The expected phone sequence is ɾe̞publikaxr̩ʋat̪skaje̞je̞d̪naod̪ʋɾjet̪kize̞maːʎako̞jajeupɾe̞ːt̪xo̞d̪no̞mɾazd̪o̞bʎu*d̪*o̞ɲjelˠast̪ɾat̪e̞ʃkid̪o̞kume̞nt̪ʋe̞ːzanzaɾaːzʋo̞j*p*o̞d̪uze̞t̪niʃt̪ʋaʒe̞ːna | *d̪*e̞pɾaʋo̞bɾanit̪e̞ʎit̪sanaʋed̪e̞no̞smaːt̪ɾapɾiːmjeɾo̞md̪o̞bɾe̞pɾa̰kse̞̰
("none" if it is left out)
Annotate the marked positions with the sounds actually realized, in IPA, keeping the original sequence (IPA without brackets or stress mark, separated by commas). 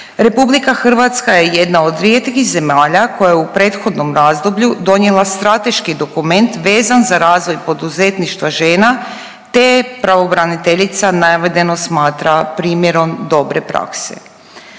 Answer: d̪, p, t̪